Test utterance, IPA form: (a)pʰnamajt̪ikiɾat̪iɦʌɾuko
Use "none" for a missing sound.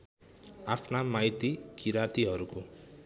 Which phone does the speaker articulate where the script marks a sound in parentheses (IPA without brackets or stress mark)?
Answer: a